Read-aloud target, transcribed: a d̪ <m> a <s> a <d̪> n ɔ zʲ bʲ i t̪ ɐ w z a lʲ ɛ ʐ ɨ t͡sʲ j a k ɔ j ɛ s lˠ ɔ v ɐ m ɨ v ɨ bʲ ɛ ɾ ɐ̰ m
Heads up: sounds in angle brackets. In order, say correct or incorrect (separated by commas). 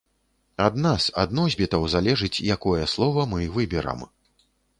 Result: incorrect, correct, correct